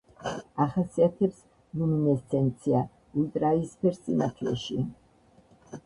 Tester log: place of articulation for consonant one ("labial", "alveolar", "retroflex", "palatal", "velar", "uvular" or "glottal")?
uvular